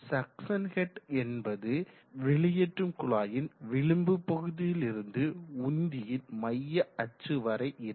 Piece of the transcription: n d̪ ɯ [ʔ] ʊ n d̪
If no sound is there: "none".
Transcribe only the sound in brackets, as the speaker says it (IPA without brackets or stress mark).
none